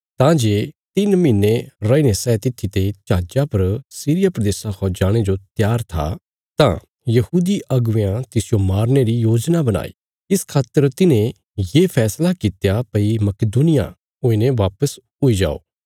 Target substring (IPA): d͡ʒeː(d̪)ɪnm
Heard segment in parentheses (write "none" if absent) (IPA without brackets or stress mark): t̪